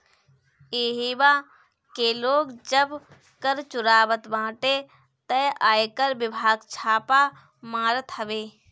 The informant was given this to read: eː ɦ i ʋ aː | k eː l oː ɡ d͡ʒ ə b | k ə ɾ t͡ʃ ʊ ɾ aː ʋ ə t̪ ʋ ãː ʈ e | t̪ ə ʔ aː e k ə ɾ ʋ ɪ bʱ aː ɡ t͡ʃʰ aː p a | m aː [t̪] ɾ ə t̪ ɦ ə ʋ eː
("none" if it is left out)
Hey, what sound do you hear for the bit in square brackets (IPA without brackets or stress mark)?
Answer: none